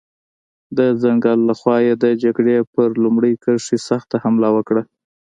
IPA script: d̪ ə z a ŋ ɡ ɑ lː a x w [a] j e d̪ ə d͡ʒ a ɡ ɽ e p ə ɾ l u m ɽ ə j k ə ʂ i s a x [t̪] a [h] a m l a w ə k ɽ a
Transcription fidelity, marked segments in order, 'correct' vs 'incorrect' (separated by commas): incorrect, correct, correct